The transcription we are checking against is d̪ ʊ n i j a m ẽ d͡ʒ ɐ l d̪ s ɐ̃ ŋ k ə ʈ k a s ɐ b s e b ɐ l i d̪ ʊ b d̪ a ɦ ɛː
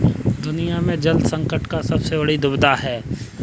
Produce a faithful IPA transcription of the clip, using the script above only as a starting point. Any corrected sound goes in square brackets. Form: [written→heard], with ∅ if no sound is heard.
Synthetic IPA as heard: d̪ ʊ n i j a m ẽ d͡ʒ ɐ l d̪ s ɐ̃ ŋ k ə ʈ k a s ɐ b s e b ɐ [l→ɽ] i d̪ ʊ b d̪ a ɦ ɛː

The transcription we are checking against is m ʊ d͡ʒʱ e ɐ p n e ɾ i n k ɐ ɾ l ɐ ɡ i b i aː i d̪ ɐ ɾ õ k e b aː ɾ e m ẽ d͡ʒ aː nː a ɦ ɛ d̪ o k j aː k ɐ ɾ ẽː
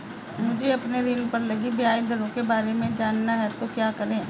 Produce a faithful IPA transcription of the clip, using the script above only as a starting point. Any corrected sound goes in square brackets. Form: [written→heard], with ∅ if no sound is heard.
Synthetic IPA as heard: m ʊ d͡ʒʱ e ɐ p n e ɾ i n [k→p] ɐ ɾ l ɐ ɡ i b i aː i d̪ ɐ ɾ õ k e b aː ɾ e m ẽ d͡ʒ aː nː a ɦ ɛ [d̪→t̪] o k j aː k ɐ ɾ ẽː

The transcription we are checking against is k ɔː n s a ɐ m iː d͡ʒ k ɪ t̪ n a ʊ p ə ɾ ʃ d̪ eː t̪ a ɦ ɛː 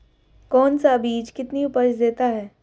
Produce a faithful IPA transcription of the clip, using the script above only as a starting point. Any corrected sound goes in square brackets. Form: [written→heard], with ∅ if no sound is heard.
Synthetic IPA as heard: k ɔː n s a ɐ [m→b] iː d͡ʒ k ɪ t̪ n [a→i] ʊ p ə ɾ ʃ d̪ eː t̪ a ɦ ɛː

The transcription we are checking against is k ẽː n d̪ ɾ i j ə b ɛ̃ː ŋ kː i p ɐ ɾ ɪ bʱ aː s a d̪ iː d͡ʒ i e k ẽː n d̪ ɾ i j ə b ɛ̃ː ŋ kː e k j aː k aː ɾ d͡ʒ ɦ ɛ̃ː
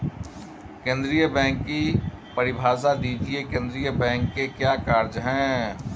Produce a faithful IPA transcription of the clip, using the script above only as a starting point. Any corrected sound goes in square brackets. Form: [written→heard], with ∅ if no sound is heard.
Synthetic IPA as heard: k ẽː n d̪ ɾ i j ə b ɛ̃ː ŋ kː i p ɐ ɾ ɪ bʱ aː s a d̪ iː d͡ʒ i e k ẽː n d̪ ɾ i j ə b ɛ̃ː ŋ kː e k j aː k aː ɾ d͡ʒ ɦ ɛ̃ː

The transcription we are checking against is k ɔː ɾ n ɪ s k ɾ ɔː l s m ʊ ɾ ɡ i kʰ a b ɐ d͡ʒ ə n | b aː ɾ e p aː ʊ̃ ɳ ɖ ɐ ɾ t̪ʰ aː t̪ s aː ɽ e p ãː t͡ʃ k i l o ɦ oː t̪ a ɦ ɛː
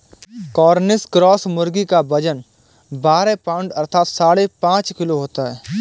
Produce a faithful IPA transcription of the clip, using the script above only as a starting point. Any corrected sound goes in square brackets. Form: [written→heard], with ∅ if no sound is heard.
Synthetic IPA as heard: k ɔː ɾ n ɪ s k ɾ ɔː [l→∅] s m ʊ ɾ ɡ i [kʰ→k] a b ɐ d͡ʒ ə n | b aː ɾ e p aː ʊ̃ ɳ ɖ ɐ ɾ t̪ʰ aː t̪ s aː ɽ e p ãː t͡ʃ k [i→ɪ] l o ɦ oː t̪ a ɦ ɛː

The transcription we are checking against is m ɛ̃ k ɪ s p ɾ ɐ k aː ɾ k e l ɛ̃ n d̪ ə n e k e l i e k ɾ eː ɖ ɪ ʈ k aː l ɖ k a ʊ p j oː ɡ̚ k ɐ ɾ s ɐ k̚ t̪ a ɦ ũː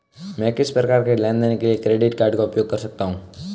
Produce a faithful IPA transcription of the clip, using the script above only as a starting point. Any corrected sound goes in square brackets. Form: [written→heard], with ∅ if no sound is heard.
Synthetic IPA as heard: m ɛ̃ k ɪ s p ɾ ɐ k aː ɾ k e l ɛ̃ n d̪ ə n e k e l i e k ɾ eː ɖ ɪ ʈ k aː [l→ɾ] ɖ k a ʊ p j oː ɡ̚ k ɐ ɾ s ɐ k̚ t̪ a ɦ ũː

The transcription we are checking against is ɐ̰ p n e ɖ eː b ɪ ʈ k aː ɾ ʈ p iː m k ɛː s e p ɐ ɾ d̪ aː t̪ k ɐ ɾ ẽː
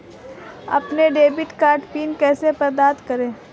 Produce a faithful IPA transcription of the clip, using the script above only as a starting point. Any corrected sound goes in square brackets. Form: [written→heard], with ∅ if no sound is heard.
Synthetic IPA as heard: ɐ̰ p n e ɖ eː b ɪ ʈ k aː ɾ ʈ p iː [m→n] k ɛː s e p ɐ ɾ d̪ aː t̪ k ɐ ɾ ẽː

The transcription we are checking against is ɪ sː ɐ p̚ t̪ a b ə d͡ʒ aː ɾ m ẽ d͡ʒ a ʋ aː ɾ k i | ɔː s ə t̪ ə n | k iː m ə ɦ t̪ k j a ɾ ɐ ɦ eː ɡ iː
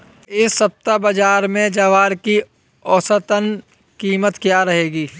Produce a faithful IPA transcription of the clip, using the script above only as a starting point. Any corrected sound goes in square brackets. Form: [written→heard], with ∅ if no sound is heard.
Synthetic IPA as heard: ɪ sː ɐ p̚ t̪ a b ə d͡ʒ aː ɾ m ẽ d͡ʒ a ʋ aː ɾ k i | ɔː s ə t̪ ə n | k iː m ə [ɦ→∅] t̪ k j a ɾ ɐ ɦ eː ɡ iː

